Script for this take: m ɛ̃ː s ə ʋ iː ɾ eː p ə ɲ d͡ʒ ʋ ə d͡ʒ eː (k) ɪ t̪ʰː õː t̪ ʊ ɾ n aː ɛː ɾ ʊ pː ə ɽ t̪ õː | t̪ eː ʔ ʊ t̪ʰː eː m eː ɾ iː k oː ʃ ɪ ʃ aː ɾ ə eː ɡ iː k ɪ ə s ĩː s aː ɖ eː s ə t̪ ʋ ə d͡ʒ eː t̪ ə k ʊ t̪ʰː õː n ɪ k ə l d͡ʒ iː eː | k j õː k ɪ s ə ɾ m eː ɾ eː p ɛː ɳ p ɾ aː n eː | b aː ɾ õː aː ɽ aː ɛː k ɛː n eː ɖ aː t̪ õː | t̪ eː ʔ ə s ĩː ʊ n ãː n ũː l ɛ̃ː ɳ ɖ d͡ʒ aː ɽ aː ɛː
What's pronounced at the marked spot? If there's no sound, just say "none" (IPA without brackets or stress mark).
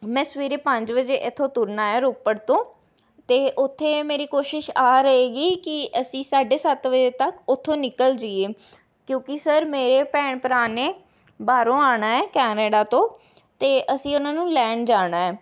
ʔ